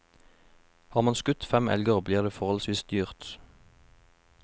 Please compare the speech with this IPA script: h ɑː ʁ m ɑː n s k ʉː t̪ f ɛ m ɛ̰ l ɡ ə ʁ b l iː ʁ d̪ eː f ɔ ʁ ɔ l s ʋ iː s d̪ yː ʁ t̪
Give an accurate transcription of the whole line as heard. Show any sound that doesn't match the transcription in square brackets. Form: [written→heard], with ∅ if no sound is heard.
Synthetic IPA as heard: h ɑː ʁ m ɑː n s k [ʉː→ʉ] t̪ f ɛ m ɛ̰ l ɡ ə ʁ b l iː ʁ d̪ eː f ɔ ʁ ɔ l s ʋ iː s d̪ yː ʁ t̪